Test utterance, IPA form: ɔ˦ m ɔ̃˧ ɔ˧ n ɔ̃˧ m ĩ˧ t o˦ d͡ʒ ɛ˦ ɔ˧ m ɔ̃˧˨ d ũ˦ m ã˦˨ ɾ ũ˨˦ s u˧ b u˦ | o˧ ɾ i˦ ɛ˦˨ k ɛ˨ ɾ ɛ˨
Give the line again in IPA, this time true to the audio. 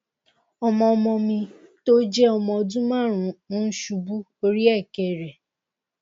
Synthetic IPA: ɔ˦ m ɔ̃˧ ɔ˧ m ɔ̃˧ m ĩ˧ t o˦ d͡ʒ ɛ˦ ɔ˧ m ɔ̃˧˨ d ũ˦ m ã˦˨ ɾ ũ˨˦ ʃ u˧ b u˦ | o˧ ɾ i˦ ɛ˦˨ k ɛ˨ ɾ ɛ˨